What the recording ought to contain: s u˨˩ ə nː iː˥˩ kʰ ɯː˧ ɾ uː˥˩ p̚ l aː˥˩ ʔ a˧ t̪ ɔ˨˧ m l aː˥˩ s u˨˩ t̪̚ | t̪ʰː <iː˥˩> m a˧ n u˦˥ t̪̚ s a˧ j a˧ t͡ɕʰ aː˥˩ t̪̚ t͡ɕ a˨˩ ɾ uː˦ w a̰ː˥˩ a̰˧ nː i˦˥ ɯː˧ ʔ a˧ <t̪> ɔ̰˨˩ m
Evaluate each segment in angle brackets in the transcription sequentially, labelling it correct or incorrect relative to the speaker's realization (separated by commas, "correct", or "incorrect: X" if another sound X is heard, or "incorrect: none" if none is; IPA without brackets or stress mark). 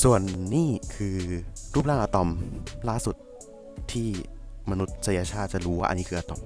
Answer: correct, correct